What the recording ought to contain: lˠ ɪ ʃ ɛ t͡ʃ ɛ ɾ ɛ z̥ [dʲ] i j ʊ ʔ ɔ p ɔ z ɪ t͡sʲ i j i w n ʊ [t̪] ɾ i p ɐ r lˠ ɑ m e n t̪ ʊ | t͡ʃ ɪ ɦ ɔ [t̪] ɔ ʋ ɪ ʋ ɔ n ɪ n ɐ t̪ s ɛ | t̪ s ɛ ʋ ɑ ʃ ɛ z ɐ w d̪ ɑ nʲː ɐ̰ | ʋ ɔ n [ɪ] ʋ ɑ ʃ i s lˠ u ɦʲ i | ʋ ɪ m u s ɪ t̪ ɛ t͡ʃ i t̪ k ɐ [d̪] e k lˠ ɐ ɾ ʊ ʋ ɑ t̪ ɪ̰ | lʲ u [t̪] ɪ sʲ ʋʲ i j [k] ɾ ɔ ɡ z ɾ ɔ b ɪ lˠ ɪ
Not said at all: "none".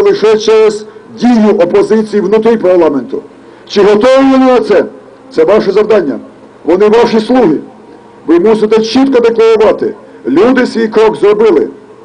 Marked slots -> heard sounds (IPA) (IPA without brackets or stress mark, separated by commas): dʲ, t̪, t̪, ɪ, d̪, d̪, k